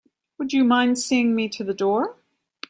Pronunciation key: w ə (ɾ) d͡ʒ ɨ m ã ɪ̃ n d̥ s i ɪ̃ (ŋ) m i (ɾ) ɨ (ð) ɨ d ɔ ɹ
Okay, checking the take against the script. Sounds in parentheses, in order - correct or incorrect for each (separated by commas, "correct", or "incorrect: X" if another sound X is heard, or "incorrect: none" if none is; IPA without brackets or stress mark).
incorrect: none, correct, correct, correct